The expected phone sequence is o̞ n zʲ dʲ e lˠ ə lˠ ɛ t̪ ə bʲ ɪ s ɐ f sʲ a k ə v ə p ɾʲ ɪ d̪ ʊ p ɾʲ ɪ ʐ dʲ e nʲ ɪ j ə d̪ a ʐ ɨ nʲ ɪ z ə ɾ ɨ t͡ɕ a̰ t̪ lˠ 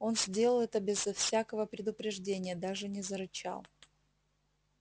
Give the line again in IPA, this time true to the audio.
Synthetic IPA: o̞ n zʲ dʲ e lˠ ə lˠ ɛ t̪ ə bʲ ɪ z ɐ f sʲ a k ə v ə p ɾʲ ɪ d̪ ʊ p ɾʲ ɪ ʐ dʲ e nʲ ɪ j ə d̪ a ʐ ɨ nʲ ɪ z ə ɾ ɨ t͡ɕ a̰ lˠ